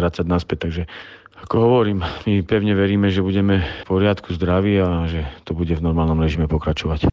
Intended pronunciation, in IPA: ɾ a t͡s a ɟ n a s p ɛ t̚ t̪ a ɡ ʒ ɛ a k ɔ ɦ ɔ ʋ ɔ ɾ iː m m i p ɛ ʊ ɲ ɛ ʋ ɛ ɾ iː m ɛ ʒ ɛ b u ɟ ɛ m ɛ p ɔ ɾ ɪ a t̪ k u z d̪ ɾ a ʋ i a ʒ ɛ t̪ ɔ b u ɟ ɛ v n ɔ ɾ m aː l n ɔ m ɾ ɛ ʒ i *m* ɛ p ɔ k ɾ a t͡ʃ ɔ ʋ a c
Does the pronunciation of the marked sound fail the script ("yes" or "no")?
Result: no